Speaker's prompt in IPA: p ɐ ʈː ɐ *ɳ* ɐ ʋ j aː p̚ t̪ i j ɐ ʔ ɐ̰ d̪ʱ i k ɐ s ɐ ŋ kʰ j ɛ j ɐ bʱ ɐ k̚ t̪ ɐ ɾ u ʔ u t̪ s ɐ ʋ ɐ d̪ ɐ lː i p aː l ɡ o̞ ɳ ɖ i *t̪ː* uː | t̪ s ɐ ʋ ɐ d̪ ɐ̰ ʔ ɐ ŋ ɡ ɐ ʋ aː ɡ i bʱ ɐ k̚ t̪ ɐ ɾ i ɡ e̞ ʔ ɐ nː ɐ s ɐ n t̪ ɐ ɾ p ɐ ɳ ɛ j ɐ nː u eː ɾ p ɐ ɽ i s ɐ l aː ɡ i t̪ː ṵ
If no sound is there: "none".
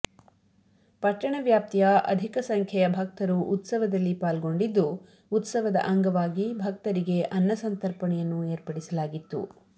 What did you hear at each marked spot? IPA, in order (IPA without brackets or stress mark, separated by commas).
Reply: ɳ, d̪ː